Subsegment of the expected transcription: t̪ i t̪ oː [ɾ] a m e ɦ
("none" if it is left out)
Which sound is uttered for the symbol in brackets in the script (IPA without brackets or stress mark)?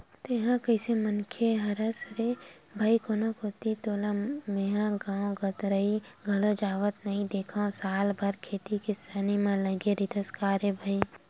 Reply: l